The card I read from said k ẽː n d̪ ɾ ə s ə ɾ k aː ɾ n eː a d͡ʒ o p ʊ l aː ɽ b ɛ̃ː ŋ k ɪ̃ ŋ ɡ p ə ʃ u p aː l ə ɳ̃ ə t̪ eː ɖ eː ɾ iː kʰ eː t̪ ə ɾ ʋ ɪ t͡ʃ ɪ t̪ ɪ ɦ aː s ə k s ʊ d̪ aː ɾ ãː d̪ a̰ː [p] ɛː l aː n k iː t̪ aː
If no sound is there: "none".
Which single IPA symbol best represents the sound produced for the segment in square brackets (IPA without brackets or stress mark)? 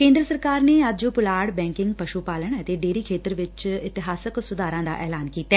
ʔ